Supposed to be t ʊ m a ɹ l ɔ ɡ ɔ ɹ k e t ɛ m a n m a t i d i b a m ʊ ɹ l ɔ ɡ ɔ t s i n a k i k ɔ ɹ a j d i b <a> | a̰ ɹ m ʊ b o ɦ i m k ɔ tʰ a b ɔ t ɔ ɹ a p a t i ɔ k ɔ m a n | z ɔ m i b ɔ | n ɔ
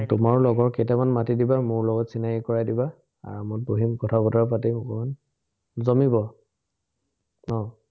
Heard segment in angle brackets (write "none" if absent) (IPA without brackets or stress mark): a